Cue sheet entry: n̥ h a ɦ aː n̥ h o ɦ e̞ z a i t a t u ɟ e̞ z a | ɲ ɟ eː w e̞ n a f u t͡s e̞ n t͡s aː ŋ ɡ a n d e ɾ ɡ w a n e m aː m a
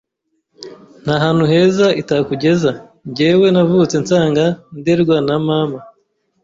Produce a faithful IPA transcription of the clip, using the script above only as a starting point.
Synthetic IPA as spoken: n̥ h a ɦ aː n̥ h u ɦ e̞ z a i t a k u ɟ e̞ z a | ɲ ɟ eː w e̞ n a v u t͡s e̞ n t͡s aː ŋ ɡ a n d e ɾ ɡ w a n a m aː m a